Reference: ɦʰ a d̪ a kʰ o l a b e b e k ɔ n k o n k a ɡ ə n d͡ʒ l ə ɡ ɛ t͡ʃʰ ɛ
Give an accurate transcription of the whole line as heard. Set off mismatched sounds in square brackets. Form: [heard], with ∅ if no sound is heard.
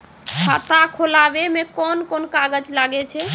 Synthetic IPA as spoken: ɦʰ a [t̪] a kʰ o l a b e [m] e k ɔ n k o n k a ɡ ə [∅] d͡ʒ l [a] ɡ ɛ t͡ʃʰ ɛ

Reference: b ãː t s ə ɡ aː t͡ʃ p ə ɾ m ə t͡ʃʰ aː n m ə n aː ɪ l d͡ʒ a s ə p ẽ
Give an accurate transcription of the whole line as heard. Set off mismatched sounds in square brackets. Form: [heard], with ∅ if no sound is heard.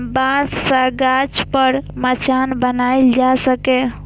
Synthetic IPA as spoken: b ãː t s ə ɡ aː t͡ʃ p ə ɾ m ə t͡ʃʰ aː n [b] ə n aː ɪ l d͡ʒ a s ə [k] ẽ

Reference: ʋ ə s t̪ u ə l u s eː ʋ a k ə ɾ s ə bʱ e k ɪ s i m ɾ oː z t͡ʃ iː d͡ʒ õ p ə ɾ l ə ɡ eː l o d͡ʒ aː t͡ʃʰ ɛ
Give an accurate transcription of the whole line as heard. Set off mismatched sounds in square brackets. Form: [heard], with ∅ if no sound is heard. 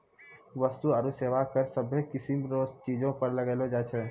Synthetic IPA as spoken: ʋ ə s t̪ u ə [ɾ] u s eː ʋ a k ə ɾ s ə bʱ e k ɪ s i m ɾ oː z t͡ʃ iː d͡ʒ õ p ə ɾ l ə ɡ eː l o d͡ʒ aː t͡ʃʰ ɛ

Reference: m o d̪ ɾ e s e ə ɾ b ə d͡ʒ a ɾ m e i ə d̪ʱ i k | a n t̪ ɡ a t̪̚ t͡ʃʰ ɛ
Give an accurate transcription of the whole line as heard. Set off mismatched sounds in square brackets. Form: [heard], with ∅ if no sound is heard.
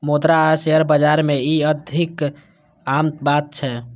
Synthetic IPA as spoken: m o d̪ ɾ [a] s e ə ɾ b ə d͡ʒ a ɾ m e i ə d̪ʱ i k | a [m] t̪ [b] a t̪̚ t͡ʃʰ ɛ

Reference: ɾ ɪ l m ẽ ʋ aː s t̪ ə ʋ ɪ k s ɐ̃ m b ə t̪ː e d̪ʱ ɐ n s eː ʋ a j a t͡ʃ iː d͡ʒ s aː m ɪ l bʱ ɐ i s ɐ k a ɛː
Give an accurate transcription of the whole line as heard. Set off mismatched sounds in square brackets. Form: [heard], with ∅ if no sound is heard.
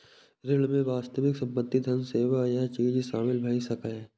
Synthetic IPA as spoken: ɾ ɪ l m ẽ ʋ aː s t̪ ə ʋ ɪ k s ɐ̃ m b ə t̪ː [i] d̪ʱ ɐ n s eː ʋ a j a t͡ʃ iː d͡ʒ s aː m ɪ l bʱ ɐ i s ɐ k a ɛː

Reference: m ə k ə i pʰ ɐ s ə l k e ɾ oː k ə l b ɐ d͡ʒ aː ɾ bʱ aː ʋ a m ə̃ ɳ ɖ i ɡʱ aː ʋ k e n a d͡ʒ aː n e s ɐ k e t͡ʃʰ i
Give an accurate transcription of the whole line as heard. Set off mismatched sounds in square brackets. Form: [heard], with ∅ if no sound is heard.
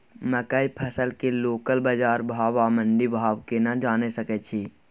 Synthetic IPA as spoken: m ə k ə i pʰ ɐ s ə l k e [l] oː k ə l b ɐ d͡ʒ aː ɾ bʱ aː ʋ a m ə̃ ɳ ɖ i [bʱ] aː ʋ k e n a d͡ʒ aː n e s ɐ k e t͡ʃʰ i

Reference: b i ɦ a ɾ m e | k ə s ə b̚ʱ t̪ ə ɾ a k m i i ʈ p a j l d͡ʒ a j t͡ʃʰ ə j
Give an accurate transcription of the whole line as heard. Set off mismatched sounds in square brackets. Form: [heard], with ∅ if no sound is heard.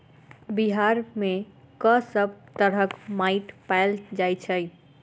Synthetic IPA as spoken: b i ɦ a ɾ m e | k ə s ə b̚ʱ t̪ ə ɾ [ə] k m [a] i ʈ p a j l d͡ʒ a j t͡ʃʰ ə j

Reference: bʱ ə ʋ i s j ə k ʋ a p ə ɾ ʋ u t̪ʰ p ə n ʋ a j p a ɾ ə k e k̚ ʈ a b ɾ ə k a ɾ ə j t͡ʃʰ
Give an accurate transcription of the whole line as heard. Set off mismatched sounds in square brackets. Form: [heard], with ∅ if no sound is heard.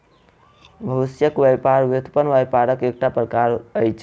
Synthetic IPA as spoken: bʱ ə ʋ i s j ə k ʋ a p [a] ɾ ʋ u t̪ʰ p ə n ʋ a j p a ɾ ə k e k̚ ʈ a [p] ɾ ə k a ɾ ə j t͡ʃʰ

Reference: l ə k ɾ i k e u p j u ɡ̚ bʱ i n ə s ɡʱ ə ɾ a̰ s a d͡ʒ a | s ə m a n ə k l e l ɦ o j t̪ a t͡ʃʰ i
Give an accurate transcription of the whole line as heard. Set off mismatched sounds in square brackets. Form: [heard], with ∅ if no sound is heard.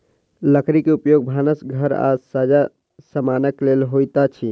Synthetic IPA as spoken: l ə k ɾ i k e u p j [o] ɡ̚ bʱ [a] n ə s ɡʱ ə ɾ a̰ s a d͡ʒ a | s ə m a n ə k l e l ɦ o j t̪ a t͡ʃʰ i

